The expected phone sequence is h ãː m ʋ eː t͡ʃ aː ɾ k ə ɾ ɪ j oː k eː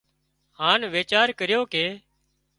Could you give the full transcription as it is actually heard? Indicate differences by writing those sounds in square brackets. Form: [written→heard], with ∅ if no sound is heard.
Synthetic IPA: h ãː [m→n] ʋ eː t͡ʃ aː ɾ k ə ɾ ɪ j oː k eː